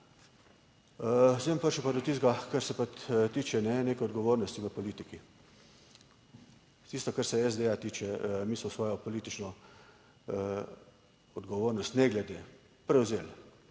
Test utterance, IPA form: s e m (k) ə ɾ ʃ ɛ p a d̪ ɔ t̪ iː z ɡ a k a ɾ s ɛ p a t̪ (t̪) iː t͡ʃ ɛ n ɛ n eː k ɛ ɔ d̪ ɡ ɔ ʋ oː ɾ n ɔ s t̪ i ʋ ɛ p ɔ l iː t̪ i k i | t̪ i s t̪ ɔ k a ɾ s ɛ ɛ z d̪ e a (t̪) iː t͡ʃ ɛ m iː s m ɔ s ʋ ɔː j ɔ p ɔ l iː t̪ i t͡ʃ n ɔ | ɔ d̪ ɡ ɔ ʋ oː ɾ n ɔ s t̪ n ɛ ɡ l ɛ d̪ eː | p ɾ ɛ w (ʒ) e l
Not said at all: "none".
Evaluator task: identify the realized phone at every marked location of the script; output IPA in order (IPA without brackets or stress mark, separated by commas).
p, t̪, t̪, z